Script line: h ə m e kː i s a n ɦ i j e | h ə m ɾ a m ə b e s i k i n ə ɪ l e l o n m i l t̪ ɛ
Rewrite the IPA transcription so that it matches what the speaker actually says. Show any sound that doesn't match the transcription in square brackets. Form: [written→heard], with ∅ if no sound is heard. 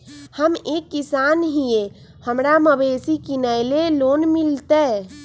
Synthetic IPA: h ə m e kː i s a n ɦ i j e | h ə m ɾ a m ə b e s i k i n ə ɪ l e l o n m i l t̪ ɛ